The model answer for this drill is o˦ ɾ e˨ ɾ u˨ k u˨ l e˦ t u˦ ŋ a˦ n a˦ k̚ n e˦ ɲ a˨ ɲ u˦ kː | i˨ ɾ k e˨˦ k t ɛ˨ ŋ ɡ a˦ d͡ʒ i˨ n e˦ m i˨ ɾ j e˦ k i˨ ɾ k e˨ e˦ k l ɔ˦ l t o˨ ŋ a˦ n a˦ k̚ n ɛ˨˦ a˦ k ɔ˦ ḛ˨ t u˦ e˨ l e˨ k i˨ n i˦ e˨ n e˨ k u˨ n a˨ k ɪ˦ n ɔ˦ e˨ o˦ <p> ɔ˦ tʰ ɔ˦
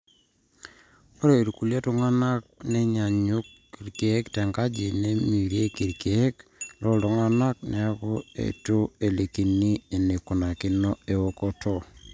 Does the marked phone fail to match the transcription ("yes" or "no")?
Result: yes